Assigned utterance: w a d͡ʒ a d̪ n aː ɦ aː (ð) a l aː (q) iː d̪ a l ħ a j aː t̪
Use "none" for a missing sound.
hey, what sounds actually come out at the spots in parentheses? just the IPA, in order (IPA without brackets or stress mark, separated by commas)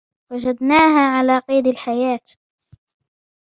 ʕ, q